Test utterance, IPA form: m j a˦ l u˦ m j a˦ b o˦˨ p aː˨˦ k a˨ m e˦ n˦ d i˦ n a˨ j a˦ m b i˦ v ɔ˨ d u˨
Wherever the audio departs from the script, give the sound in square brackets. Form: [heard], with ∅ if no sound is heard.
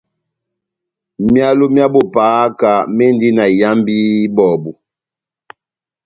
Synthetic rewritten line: m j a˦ l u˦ m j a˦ b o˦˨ p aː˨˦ k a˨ m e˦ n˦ d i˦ n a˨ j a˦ m b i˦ [b] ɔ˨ [b] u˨